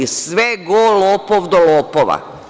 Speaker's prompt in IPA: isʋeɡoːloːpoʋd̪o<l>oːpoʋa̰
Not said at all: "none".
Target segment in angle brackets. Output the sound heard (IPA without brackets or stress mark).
l